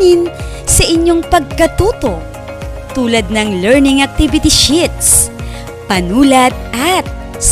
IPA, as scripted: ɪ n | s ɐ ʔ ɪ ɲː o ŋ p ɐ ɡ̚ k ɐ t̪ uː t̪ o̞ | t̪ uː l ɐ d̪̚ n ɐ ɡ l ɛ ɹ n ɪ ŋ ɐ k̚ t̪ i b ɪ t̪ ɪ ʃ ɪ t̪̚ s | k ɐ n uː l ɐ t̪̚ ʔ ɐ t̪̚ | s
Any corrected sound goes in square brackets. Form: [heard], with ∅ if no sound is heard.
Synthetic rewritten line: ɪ n | s ɐ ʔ ɪ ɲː o ŋ p ɐ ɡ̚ k ɐ t̪ uː t̪ o̞ | t̪ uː l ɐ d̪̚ n ɐ [ŋ] l ɛ ɹ n ɪ ŋ ɐ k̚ t̪ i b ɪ t̪ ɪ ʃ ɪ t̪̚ s | [p] ɐ n uː l ɐ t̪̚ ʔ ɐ t̪̚ | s